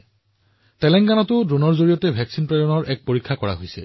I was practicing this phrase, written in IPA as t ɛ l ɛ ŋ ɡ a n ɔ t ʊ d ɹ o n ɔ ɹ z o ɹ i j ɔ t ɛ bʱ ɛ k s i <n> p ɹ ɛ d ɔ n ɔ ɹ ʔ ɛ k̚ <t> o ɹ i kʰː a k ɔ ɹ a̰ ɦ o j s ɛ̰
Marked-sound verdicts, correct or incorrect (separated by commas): correct, incorrect